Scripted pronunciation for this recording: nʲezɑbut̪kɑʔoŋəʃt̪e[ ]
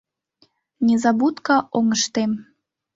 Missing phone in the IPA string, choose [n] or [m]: m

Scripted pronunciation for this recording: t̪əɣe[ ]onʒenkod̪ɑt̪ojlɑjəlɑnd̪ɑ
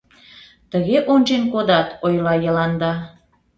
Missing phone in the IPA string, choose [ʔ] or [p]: ʔ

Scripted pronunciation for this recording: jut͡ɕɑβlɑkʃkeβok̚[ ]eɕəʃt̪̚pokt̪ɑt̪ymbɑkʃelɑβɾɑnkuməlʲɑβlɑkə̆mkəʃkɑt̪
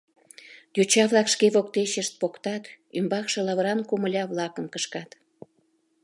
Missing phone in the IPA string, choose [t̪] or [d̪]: t̪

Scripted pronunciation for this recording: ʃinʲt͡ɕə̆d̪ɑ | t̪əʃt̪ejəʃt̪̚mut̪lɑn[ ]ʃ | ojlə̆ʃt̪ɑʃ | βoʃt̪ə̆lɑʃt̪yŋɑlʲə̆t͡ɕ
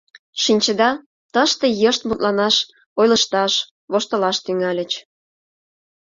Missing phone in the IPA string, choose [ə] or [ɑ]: ɑ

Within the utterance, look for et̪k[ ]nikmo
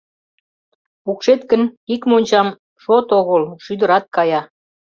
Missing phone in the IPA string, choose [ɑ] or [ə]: ə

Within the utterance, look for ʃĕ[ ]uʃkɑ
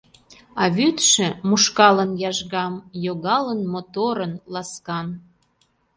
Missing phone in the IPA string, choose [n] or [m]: m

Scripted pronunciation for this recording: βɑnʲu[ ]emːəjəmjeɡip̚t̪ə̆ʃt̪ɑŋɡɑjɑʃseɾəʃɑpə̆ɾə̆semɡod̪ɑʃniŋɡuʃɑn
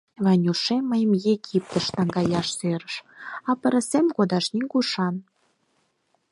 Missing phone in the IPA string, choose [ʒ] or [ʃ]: ʃ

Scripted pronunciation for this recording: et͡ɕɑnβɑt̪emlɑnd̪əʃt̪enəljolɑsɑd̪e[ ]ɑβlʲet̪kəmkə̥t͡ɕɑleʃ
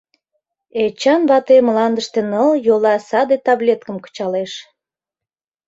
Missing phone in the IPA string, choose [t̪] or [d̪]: t̪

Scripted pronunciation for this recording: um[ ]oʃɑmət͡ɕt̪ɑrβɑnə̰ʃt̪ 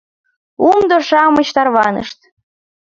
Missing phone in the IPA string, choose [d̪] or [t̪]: d̪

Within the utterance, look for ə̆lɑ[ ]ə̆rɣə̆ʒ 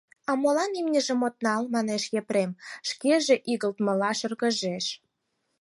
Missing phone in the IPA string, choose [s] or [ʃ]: ʃ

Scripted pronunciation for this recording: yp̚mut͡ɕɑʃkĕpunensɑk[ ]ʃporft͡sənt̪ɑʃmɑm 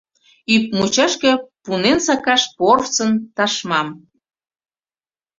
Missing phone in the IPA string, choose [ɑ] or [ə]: ɑ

